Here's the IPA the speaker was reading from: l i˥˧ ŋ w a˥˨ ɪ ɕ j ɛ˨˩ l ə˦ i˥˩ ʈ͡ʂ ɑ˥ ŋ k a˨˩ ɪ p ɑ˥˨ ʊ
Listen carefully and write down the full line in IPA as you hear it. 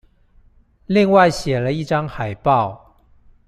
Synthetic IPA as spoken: l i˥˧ ŋ w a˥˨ ɪ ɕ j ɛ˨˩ l ə˦ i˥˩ ʈ͡ʂ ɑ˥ ŋ x a˨˩ ɪ p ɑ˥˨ ʊ

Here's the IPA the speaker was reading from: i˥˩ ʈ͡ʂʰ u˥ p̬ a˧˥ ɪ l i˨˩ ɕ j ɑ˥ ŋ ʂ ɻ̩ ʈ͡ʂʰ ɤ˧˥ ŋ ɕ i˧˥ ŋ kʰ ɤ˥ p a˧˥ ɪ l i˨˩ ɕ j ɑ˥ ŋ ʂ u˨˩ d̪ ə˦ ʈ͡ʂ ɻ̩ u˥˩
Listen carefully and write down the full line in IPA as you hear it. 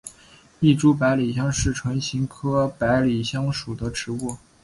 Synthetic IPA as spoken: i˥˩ ʈ͡ʂ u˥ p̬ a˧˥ ɪ l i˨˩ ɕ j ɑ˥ ŋ ʂ ɻ̩ ʈ͡ʂʰ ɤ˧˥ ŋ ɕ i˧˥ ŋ kʰ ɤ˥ p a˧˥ ɪ l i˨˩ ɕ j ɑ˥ ŋ ʂ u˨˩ d̪ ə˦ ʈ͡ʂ ɻ̩ u˥˩

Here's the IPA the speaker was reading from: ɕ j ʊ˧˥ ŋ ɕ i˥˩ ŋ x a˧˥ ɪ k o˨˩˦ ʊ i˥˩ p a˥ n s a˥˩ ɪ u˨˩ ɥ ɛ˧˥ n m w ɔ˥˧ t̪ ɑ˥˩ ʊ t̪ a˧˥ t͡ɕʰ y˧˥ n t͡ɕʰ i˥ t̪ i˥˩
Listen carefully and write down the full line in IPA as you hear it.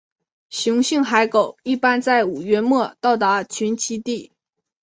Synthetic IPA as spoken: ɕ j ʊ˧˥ ŋ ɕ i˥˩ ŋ x a˧˥ ɪ k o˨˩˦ ʊ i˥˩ p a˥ n t͡s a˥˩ ɪ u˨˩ ɥ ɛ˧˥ n m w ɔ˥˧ t̪ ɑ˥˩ ʊ t̪ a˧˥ t͡ɕʰ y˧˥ n t͡ɕʰ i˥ t̪ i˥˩

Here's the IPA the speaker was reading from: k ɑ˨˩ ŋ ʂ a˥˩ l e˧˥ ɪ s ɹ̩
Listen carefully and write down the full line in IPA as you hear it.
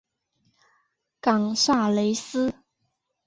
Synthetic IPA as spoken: k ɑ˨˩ ŋ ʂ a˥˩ l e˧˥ ɪ s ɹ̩

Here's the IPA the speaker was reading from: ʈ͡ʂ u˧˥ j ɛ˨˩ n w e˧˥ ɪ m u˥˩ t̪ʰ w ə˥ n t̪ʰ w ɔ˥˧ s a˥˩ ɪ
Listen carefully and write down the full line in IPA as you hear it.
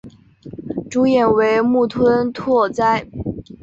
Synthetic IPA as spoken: ʈ͡ʂ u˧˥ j ɛ˨˩ n w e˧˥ ɪ m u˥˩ t̪ʰ w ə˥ n t̪ʰ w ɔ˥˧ t͡s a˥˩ ɪ

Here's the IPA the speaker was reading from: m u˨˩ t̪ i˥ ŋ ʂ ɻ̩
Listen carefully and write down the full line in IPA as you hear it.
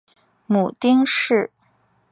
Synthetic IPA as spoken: m u˨˩ t̪ i˥ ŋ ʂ ɻ̩

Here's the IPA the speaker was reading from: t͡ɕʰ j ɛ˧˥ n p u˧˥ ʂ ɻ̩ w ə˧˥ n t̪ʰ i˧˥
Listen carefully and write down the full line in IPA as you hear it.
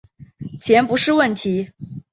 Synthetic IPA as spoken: t͡ɕʰ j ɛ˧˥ n p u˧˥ ʂ ɻ̩ w ə˥˩ n t̪ʰ i˧˥

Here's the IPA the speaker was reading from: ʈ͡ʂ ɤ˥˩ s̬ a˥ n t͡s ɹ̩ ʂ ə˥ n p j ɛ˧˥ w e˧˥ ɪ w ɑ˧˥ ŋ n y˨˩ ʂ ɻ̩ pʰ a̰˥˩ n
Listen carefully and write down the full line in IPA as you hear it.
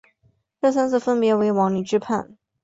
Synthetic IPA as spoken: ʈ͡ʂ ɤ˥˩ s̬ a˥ n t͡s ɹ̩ f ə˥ n p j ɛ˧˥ w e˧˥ ɪ w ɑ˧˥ ŋ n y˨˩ ʈ͡ʂ ɻ̩ pʰ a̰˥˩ n

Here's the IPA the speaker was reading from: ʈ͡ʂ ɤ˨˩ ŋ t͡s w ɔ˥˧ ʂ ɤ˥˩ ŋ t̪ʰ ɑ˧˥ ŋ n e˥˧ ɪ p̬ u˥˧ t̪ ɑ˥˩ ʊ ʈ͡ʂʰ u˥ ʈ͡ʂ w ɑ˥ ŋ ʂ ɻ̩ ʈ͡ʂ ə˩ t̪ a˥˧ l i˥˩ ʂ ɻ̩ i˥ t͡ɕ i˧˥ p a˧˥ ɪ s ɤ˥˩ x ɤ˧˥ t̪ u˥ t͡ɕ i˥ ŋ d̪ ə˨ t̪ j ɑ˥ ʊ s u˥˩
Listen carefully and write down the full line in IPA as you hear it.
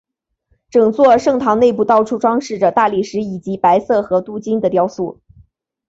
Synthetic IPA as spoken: ʈ͡ʂ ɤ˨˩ ŋ t͡s w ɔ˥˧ ʂ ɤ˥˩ ŋ t̪ʰ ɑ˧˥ ŋ n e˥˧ ɪ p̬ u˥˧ t̪ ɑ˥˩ ʊ ʈ͡ʂʰ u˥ ʈ͡ʂ w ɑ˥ ŋ ʂ ɻ̩ ʈ͡ʂ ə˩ t̪ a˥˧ l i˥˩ ʂ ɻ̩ i˨˩ t͡ɕ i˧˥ p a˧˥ ɪ s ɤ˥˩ x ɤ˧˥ t̪ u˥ t͡ɕ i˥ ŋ d̪ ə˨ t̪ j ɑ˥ ʊ s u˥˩

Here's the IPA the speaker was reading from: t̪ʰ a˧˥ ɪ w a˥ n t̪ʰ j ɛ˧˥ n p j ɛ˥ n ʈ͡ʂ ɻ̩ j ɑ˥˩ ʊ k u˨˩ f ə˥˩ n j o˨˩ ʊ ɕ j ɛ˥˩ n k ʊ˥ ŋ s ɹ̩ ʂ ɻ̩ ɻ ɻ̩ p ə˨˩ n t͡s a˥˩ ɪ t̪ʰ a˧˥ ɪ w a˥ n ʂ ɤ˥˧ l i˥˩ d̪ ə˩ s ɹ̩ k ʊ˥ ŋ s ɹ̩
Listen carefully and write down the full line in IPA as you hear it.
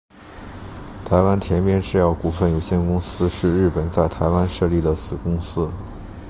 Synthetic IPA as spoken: t̪ʰ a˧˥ ɪ w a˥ n t̪ʰ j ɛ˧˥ n p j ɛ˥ n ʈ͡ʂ ɻ̩ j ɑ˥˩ ʊ k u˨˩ f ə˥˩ n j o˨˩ ʊ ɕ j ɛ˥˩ n k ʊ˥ ŋ s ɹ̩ ʂ ɻ̩ ɻ ɻ̩ p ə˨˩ n t͡s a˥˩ ɪ t̪ʰ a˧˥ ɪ w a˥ n ʂ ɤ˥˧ l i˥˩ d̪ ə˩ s ɹ̩ k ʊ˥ ŋ s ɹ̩

